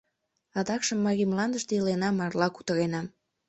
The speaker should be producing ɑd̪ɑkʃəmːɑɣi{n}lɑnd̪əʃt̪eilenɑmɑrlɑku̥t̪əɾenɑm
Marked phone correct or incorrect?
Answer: incorrect: m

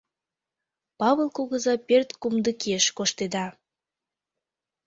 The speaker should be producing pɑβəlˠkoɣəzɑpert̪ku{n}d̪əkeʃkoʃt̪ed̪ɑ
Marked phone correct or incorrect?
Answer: incorrect: m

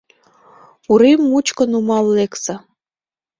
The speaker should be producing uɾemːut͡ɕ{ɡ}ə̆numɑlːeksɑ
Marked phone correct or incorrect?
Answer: incorrect: k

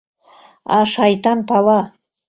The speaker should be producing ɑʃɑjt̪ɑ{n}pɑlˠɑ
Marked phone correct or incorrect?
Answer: correct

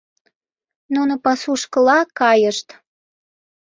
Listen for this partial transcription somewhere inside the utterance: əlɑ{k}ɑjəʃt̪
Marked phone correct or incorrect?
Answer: correct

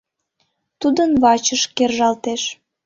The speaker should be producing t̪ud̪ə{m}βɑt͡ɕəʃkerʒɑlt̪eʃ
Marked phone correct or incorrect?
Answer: incorrect: n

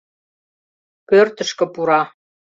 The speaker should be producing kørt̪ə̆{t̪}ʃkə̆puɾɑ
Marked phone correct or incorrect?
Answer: incorrect: none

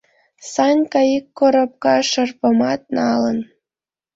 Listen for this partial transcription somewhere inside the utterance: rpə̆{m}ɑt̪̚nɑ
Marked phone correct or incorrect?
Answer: correct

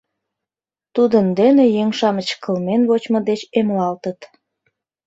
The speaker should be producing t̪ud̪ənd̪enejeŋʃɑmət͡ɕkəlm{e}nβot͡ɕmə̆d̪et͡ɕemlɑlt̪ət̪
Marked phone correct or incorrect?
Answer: correct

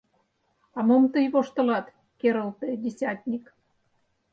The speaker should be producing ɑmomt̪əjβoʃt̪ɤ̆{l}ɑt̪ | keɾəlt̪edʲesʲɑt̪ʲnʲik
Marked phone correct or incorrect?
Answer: correct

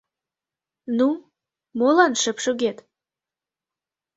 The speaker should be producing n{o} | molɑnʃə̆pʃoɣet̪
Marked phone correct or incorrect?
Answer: incorrect: u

